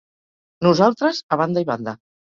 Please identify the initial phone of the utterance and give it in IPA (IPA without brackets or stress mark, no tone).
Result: n